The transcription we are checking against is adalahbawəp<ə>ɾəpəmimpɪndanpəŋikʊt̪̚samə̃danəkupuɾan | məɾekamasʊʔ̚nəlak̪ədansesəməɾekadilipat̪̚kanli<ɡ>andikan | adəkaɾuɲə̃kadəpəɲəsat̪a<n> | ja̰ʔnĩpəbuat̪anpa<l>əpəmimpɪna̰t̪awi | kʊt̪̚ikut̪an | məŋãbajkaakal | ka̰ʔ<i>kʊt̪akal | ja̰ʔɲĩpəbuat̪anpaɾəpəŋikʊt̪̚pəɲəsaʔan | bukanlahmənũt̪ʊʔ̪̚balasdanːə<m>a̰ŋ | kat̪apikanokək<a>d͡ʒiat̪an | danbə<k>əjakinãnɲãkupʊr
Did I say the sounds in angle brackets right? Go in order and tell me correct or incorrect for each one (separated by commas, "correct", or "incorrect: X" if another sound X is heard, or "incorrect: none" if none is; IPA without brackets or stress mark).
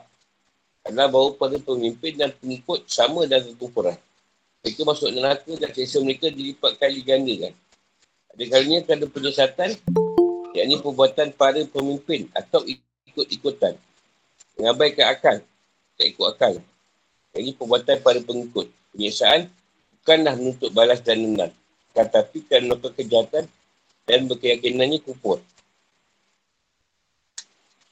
incorrect: a, correct, correct, incorrect: ɾ, correct, incorrect: n, incorrect: ə, correct